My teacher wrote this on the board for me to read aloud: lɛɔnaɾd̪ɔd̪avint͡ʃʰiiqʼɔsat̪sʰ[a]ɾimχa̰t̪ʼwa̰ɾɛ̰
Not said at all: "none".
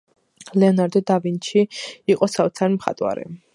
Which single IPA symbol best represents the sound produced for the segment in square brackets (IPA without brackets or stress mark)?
a